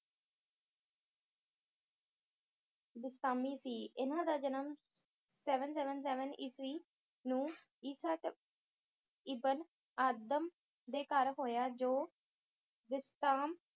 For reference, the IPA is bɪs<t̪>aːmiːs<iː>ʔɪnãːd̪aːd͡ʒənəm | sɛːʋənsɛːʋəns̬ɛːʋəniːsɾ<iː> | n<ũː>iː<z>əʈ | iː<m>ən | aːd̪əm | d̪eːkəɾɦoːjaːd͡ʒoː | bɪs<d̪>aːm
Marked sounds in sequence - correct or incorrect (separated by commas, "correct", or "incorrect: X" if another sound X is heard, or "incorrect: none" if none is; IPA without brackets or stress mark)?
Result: correct, correct, correct, correct, incorrect: s, incorrect: b, incorrect: t̪